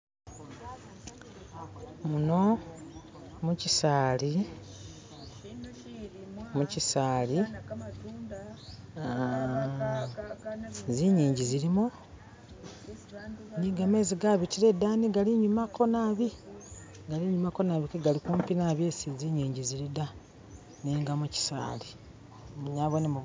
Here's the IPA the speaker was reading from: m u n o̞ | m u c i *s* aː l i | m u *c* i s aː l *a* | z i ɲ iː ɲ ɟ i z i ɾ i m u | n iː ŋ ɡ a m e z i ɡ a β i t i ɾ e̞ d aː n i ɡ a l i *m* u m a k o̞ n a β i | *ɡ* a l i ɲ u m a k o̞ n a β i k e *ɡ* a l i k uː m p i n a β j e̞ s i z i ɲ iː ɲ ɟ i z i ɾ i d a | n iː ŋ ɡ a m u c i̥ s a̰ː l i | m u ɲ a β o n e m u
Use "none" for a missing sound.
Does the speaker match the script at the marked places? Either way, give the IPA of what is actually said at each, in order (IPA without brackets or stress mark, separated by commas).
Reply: s, c, i, ɲ, ɡ, ɡ